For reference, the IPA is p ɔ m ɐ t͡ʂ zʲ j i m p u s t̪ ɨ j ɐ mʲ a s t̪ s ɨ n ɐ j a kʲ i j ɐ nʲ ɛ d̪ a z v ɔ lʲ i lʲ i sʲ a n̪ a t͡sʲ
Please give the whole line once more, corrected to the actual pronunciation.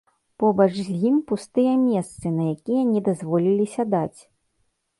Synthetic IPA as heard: p ɔ b ɐ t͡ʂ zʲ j i m p u s t̪ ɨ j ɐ mʲ ɛ s t̪ s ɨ n ɐ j a kʲ i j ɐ nʲ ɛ d̪ a z v ɔ lʲ i lʲ i sʲ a d̪ a t͡sʲ